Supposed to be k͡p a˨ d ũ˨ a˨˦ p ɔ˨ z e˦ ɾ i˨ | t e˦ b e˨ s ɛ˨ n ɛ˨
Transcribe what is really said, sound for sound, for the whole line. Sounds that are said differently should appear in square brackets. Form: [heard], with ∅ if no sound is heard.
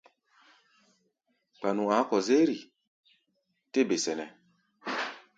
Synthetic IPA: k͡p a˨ [n] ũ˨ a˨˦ [k] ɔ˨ z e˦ ɾ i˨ | t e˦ b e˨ s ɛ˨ n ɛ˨